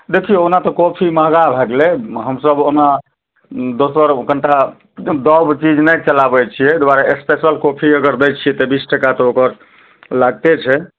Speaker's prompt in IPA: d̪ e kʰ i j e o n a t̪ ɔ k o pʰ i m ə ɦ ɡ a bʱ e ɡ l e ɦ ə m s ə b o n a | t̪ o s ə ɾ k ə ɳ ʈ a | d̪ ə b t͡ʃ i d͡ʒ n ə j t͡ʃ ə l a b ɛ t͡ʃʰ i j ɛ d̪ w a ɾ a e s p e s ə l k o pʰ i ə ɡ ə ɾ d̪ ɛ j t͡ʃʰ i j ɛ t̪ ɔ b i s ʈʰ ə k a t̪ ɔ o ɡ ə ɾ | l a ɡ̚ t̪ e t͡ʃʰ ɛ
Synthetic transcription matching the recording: d̪ e kʰ i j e o n a t̪ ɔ k o pʰ i m ə ɦ ɡ a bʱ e ɡ l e ɦ ə m s ə b o n a | d̪ o s ə ɾ k ə ɳ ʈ a | d̪ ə b t͡ʃ i d͡ʒ n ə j t͡ʃ ə l a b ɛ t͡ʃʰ i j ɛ d̪ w a ɾ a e s p e s ə l k o pʰ i ə ɡ ə ɾ d̪ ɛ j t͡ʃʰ i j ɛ t̪ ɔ b i s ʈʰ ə k a t̪ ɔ o k ə ɾ | l a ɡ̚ t̪ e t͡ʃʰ ɛ